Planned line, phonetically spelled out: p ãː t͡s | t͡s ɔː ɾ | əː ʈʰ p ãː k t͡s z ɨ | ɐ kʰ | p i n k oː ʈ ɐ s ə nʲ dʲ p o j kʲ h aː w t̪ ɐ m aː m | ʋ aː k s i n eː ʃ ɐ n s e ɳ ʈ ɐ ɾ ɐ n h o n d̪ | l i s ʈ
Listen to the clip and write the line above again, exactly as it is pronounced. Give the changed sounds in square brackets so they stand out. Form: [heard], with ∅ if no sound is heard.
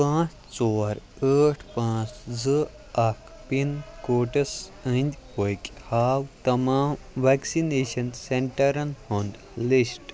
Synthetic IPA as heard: p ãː t͡s | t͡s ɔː ɾ | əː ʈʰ p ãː [∅] t͡s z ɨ | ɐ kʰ | p i n k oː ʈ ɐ s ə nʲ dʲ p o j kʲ h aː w t̪ ɐ m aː m | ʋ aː k s i n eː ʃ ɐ n s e ɳ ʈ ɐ ɾ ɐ n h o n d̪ | l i s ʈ